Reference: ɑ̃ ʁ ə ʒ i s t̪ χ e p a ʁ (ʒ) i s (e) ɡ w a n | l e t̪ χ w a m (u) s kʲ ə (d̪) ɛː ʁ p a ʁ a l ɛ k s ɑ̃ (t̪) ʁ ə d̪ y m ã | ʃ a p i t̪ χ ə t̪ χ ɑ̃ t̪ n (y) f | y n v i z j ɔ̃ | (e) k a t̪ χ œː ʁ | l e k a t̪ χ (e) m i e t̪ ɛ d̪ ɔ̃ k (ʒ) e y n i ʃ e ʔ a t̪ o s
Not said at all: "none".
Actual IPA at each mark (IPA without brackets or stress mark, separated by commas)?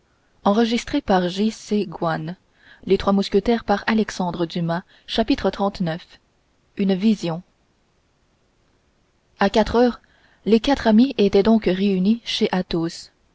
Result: ʒ, e, u, t̪, d̪, œ, a, a, ʁ